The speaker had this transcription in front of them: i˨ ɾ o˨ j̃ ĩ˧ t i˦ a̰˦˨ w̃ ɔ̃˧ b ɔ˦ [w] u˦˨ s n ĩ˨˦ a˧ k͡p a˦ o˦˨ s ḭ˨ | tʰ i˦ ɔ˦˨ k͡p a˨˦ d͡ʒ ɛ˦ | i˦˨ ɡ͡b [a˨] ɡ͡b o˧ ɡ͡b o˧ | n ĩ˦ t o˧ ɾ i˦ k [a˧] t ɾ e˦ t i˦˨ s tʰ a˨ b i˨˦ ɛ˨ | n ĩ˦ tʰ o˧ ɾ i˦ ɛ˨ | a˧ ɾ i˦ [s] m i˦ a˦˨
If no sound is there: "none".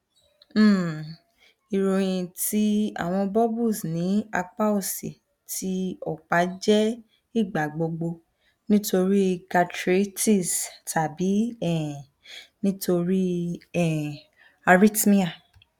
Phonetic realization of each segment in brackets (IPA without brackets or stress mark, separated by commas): b, a˨, a˧, t